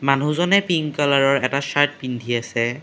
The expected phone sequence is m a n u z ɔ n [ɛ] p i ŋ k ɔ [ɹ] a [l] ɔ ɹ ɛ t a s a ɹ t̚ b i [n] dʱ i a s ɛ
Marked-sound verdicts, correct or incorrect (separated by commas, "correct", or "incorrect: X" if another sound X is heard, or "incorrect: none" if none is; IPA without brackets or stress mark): correct, incorrect: l, incorrect: ɹ, correct